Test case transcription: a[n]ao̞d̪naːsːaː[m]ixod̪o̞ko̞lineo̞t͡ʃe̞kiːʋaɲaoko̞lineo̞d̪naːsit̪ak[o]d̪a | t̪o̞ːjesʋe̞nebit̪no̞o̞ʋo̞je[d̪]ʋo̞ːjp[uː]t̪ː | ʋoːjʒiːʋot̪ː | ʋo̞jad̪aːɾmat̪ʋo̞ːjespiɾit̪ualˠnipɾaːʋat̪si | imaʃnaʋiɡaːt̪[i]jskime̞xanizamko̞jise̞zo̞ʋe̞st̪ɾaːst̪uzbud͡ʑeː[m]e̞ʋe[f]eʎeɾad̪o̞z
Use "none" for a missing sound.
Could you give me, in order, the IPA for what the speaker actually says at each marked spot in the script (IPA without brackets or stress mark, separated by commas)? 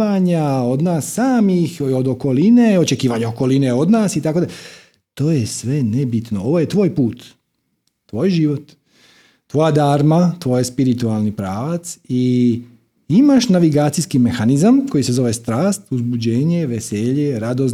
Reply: ɲ, m, o, t̪, uː, i, ɲ, s